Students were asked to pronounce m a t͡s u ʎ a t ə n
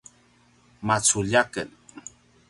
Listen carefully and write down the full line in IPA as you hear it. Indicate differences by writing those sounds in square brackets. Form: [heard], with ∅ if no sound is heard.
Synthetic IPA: m a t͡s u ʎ a [k] ə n